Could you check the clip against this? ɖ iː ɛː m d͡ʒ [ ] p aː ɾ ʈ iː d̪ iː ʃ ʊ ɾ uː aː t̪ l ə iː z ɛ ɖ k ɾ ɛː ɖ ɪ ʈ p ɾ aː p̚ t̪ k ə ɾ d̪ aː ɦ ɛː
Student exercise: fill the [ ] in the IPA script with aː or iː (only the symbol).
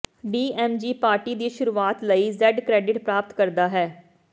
iː